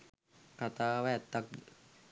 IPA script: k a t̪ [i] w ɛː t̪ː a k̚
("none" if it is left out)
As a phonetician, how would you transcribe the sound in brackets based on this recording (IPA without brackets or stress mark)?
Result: a